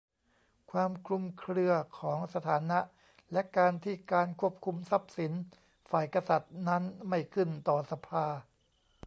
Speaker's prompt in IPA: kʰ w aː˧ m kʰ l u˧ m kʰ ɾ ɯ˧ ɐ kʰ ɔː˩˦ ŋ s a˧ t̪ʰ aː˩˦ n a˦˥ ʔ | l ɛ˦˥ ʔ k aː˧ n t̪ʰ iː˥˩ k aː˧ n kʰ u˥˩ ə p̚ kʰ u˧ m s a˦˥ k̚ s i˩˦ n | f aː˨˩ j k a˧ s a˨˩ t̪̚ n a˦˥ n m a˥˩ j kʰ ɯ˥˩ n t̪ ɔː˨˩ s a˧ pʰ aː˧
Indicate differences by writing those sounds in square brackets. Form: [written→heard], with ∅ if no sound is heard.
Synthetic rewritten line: kʰ w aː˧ m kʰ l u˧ m kʰ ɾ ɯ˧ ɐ kʰ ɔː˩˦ ŋ s a˧ t̪ʰ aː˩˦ n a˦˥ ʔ | l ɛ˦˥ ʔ k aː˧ n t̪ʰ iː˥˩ k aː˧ n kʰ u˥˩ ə p̚ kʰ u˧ m s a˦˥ [k̚→p̚] s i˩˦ n | f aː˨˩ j k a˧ s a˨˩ t̪̚ n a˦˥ n m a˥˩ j kʰ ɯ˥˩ n t̪ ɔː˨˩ s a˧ pʰ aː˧